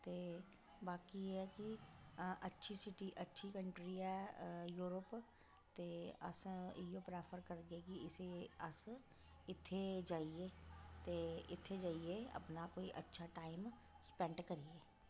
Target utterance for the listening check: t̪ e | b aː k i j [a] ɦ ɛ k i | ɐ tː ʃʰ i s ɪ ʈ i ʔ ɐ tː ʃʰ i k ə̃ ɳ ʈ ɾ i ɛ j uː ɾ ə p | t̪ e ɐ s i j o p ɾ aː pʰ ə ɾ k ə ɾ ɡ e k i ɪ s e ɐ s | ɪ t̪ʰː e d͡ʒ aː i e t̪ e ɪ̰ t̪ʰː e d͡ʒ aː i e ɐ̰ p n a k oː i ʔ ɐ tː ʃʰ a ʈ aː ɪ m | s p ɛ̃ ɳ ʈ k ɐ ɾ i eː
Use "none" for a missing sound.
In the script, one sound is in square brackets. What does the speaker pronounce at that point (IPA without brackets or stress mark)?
e